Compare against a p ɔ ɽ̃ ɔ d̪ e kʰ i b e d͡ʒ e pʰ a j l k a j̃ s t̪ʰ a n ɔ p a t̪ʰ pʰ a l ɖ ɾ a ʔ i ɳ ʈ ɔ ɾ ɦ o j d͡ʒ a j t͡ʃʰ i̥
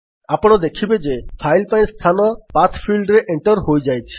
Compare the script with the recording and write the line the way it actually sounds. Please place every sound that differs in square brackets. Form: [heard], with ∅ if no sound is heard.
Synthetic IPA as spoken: a p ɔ ɽ̃ ɔ d̪ e kʰ i b e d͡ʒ e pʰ a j l [p] a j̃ s t̪ʰ a n ɔ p a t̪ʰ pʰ [i] l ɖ ɾ [e] ʔ [e] ɳ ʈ ɔ ɾ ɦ o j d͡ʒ a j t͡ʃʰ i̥